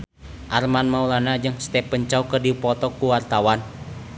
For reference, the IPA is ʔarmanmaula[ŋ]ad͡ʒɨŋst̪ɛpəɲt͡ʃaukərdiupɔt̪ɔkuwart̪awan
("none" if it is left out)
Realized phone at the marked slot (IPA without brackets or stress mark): n